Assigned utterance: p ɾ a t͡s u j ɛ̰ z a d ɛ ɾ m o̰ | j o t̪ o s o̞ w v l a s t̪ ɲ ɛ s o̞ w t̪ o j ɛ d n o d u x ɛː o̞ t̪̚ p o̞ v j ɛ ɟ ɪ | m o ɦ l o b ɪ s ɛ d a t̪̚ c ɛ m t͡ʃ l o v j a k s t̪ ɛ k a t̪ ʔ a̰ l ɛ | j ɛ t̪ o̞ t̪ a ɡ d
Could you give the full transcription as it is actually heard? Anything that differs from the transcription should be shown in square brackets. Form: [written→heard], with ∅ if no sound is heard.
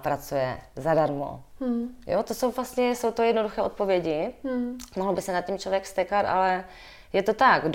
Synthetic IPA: p ɾ a t͡s u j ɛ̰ z a d [ɛ→a] ɾ m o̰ | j o t̪ o s o̞ w v l a s t̪ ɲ ɛ s o̞ w t̪ o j ɛ d n o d u x ɛː o̞ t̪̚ p o̞ v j ɛ ɟ ɪ | m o ɦ l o b ɪ s ɛ [d→n] a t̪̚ c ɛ m t͡ʃ l o v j [a→ɛ] k s t̪ ɛ k a t̪ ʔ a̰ l ɛ | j ɛ t̪ o̞ t̪ a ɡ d